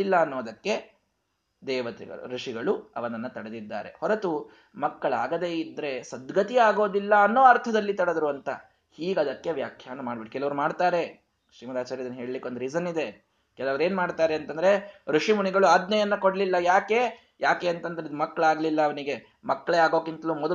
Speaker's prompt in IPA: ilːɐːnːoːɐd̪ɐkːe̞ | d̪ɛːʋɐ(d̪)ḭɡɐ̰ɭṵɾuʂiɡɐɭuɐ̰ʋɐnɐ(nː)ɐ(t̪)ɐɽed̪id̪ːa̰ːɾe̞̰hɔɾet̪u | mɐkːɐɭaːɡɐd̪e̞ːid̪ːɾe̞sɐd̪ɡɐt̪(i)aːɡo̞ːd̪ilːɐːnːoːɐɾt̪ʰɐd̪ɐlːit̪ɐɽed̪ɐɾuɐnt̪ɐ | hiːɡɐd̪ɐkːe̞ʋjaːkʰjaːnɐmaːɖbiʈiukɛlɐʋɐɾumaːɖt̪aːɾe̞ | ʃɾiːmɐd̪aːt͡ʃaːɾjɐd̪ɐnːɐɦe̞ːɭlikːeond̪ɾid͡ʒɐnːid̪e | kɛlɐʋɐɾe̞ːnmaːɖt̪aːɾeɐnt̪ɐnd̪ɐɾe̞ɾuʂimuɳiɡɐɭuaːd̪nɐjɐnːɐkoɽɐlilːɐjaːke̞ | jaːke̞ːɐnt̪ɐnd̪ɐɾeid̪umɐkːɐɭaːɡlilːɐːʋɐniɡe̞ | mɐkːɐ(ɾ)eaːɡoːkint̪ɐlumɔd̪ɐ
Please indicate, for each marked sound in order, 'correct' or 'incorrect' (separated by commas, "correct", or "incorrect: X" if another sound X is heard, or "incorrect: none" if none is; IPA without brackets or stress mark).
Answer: incorrect: t̪, correct, correct, correct, incorrect: ɭ